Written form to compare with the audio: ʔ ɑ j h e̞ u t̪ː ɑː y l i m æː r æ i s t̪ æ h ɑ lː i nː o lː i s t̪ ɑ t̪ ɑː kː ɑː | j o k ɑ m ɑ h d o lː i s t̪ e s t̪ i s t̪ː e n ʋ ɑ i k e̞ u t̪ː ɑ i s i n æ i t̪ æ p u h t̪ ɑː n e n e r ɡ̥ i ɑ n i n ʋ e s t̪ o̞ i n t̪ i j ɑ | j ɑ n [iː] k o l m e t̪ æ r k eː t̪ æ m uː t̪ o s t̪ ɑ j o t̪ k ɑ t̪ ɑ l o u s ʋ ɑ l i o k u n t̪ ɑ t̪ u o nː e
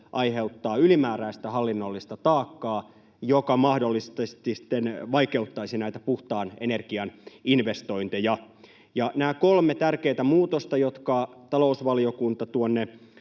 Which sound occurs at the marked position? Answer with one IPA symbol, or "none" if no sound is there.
æː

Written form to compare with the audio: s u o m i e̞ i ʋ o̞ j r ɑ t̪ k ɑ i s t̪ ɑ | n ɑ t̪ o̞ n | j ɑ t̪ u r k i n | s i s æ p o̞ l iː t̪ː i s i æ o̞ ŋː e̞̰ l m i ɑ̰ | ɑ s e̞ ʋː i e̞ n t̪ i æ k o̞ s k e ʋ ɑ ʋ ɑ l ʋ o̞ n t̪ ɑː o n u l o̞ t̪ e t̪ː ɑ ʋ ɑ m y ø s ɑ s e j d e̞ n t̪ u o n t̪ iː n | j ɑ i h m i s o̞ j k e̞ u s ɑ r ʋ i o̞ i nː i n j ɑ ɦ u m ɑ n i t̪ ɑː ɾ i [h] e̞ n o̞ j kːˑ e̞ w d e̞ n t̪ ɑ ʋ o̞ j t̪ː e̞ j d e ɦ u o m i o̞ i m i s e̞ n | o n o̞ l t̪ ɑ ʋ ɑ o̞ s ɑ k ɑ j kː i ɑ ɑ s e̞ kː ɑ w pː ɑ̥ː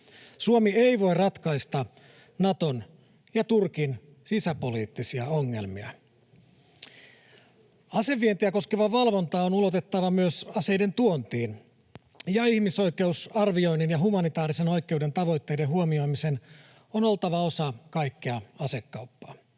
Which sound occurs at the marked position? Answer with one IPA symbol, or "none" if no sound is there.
s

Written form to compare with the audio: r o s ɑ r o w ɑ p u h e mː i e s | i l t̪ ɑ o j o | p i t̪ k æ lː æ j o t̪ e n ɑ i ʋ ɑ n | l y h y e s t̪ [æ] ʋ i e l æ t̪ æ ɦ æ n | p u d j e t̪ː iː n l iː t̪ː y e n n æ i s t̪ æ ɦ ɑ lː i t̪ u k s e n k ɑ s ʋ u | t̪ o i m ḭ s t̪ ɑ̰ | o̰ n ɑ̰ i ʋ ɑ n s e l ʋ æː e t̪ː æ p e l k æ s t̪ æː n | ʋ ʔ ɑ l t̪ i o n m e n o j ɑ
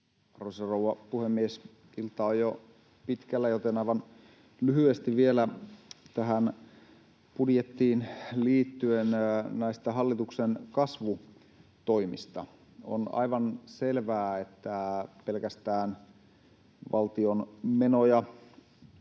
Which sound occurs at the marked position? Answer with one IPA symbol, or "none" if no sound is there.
i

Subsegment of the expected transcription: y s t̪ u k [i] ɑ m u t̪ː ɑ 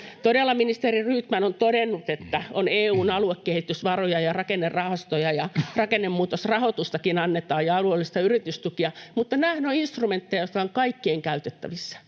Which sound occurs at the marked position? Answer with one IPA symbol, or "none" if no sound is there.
i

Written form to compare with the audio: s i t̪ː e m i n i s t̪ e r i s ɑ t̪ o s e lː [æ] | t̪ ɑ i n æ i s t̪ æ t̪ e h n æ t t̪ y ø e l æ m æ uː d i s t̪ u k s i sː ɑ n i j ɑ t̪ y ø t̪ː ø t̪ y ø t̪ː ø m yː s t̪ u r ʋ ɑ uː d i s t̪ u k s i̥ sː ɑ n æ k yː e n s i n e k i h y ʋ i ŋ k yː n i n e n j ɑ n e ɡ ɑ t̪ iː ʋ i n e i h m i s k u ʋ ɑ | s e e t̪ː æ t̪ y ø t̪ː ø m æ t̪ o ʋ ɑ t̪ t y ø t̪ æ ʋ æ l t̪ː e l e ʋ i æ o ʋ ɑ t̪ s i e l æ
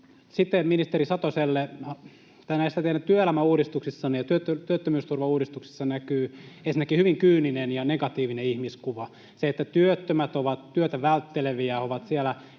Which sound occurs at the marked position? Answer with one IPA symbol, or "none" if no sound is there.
e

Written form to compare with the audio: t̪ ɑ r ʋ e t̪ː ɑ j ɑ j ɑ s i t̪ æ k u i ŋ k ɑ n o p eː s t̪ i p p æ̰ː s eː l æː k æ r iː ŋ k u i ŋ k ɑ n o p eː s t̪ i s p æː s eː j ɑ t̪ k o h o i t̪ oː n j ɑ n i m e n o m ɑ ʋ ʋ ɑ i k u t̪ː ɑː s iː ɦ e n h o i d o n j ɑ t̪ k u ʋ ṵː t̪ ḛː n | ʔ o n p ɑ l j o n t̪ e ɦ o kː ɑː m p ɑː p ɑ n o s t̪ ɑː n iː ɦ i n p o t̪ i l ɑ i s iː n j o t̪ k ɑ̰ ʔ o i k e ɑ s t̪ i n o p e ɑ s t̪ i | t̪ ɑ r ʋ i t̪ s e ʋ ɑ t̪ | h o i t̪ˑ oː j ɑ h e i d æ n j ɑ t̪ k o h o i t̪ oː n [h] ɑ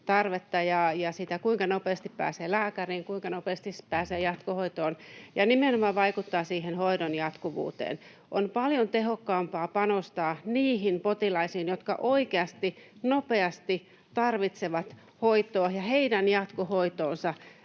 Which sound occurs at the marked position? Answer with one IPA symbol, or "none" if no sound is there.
s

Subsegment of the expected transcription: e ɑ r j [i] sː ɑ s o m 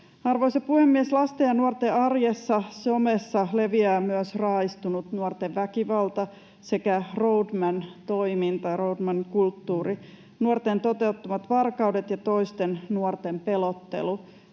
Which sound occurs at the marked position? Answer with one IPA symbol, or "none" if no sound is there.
e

